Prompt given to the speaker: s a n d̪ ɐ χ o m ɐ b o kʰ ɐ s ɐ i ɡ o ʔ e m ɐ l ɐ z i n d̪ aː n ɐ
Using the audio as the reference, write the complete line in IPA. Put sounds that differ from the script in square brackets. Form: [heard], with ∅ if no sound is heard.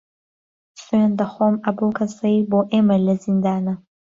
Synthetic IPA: s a n d̪ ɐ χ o m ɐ b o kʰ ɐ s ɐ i [b] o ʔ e m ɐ l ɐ z i n d̪ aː n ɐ

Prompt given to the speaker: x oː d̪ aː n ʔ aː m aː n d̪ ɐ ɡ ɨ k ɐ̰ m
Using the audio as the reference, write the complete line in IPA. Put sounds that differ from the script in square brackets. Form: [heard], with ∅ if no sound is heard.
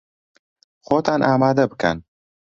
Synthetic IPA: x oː [t̪] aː n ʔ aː m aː [∅] d̪ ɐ [b] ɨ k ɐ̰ [n]

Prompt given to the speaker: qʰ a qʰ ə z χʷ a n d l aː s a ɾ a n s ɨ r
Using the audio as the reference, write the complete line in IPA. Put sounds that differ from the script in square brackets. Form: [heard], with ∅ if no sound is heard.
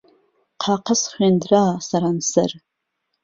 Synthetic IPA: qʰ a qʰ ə [s] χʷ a n d [r] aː s a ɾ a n s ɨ r

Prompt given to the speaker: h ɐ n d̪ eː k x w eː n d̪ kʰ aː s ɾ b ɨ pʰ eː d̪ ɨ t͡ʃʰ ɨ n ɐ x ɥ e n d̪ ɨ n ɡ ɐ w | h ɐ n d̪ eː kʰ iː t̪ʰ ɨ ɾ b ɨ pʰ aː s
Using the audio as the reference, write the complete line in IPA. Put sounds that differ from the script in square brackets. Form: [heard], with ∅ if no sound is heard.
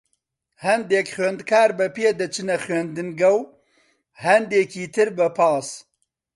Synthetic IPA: h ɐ n d̪ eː k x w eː n d̪ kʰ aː [∅] ɾ b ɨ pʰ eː d̪ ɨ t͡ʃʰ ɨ n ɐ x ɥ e n d̪ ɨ n ɡ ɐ w | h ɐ n d̪ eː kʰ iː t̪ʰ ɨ ɾ b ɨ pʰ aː s

